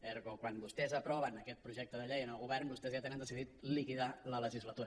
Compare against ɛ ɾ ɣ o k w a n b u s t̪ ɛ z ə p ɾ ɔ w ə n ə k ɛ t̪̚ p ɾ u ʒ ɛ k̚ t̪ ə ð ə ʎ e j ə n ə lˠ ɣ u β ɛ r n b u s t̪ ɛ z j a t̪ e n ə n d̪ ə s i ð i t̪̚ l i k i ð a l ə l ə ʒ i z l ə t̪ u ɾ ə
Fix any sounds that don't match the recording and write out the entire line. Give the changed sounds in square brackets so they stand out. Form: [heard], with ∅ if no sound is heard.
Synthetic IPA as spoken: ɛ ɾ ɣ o k w a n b u s t̪ ɛ z ə p ɾ ɔ [β] ə n ə k ɛ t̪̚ p ɾ u ʒ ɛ k̚ t̪ ə ð ə ʎ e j ə n ə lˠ ɣ u β ɛ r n b u s t̪ ɛ z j a t̪ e n ə n d̪ ə s i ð i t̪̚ l i k i ð a l ə l ə ʒ i z l ə t̪ u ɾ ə